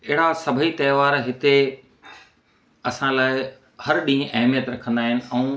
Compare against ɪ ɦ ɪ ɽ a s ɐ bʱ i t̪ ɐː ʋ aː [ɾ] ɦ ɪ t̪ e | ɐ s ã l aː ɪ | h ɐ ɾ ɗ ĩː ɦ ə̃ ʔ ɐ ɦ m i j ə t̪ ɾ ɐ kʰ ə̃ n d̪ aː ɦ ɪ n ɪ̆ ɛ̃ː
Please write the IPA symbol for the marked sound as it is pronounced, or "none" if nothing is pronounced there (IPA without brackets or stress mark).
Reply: ɾ